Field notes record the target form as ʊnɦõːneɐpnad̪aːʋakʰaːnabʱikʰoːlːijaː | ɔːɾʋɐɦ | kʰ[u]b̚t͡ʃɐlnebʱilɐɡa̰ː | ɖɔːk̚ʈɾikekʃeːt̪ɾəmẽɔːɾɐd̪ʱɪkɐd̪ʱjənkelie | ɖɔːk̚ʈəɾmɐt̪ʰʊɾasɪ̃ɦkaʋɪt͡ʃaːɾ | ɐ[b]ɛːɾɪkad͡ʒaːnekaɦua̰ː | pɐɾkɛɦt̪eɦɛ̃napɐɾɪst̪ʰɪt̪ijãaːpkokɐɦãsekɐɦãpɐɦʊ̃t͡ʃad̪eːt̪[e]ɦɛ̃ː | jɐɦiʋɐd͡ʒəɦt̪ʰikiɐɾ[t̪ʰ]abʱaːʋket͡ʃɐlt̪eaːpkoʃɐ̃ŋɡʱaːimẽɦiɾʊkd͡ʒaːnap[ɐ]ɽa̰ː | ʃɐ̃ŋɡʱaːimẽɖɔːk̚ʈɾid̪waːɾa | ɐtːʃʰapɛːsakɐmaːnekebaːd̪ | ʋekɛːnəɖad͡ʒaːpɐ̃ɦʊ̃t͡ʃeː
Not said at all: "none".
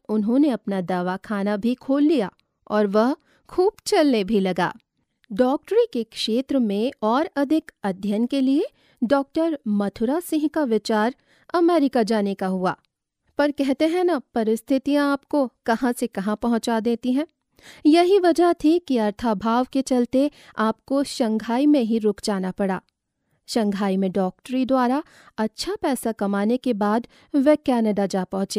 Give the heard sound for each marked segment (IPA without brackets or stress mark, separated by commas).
uː, m, i, t̪ʰ, ɐ